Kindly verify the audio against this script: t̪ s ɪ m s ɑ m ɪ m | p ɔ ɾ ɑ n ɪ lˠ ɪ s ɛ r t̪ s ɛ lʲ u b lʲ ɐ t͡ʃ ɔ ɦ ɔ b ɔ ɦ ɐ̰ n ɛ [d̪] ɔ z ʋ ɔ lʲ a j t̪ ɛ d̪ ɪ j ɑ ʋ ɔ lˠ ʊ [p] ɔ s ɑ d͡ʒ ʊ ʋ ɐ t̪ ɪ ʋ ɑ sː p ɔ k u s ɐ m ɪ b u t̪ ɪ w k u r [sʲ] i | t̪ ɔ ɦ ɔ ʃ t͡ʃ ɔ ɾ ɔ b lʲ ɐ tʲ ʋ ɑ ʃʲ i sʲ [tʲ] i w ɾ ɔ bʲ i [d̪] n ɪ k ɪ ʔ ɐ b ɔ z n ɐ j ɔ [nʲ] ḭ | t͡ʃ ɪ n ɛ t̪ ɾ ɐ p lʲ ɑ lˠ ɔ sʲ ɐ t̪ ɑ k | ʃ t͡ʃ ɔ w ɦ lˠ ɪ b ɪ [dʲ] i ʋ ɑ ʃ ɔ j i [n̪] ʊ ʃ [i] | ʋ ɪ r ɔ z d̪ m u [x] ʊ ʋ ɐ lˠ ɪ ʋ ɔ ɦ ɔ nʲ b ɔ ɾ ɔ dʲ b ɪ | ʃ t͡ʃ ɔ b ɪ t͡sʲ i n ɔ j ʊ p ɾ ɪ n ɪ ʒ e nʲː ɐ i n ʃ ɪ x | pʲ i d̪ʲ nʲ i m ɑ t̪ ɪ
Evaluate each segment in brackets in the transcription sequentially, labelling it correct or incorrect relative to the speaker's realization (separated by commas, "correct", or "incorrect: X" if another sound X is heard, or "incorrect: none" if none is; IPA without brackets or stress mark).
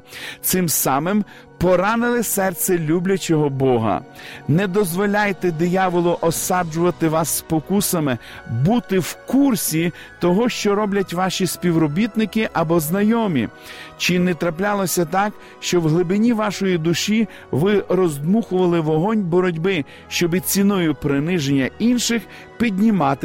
correct, incorrect: ʔ, correct, incorrect: pʲ, incorrect: t̪, incorrect: mʲ, incorrect: nʲ, incorrect: d̪, correct, correct